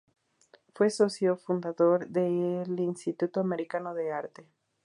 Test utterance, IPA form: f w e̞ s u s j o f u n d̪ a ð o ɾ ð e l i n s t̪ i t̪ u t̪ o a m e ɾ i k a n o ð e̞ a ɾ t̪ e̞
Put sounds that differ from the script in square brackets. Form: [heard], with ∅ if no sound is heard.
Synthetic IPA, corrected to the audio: f w e̞ s [o] s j o f u n d̪ a ð o ɾ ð e l i n s t̪ i t̪ u t̪ o a m e ɾ i k a n o ð e̞ a ɾ t̪ e̞